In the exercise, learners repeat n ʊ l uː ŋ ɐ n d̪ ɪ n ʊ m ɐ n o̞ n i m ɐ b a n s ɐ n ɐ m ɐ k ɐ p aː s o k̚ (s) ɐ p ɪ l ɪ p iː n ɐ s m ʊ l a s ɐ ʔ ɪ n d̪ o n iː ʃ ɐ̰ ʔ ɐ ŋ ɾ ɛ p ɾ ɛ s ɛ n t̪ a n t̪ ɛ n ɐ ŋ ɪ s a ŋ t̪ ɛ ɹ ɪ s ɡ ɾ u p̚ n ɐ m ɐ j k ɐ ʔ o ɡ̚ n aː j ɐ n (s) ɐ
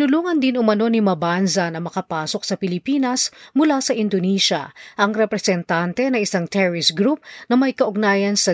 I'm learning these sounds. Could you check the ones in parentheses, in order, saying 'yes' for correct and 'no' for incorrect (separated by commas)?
yes, yes